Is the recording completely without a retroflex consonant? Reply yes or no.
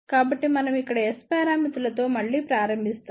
no